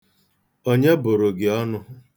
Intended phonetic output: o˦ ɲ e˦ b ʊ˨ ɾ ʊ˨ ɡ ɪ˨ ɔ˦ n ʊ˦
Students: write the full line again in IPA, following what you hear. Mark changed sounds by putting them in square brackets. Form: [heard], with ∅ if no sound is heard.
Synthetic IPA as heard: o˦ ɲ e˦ b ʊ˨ ɾ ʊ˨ ɡ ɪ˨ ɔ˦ n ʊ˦